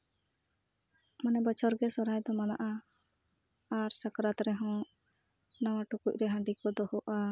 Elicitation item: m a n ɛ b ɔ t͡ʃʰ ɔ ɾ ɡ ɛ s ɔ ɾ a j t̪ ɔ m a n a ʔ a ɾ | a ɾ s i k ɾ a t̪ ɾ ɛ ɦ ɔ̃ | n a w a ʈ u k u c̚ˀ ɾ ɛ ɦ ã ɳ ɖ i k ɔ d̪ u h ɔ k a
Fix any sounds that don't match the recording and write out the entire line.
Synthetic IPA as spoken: m a n ɛ b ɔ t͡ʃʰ ɔ ɾ ɡ ɛ s ɔ ɾ a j d̪ ɔ m a n a ʔ a | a ɾ s a k ɾ a t̪ ɾ ɛ ɦ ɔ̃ | n a w a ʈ u k u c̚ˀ ɾ ɛ ɦ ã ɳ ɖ i k ɔ d̪ ɔ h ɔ ʔ a